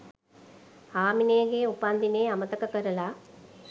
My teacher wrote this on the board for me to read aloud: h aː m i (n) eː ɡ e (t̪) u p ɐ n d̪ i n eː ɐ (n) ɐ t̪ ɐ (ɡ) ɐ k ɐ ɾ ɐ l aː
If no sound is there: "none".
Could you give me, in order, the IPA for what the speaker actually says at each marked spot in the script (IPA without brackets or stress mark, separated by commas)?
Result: n, none, m, k